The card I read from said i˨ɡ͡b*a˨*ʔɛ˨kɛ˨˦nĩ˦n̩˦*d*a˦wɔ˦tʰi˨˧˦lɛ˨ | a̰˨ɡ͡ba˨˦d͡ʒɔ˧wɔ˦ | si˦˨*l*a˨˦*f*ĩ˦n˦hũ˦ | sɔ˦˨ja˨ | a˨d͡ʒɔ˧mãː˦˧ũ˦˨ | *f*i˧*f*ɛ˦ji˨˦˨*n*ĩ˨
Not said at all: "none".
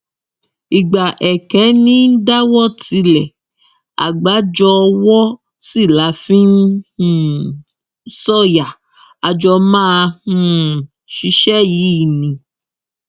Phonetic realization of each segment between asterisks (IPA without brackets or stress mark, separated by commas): a˨, d, l, f, ʃ, ʃ, n